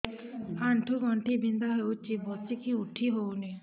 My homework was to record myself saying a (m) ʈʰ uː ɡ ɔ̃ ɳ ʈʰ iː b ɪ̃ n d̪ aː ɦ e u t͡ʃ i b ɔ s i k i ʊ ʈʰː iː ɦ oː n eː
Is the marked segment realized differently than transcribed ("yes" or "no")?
yes